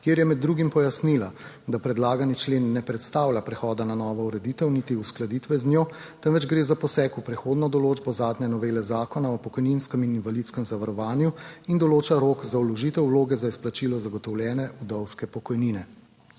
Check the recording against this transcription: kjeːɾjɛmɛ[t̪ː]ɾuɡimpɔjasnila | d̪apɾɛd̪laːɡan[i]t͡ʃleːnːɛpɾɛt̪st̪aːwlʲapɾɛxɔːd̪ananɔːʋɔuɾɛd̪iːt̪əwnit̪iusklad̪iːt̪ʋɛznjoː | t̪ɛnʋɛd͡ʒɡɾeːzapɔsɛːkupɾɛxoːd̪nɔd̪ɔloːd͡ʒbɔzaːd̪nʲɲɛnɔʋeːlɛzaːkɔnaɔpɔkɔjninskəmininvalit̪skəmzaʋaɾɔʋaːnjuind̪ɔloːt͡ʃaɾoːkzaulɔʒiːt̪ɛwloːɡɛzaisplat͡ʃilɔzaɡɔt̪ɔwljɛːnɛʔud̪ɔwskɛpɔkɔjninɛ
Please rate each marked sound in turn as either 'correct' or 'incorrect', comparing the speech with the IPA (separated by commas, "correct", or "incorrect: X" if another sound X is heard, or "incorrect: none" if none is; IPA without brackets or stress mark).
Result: incorrect: d̪ː, correct